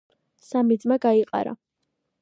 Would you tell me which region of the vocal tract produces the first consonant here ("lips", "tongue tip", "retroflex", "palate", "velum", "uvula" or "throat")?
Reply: tongue tip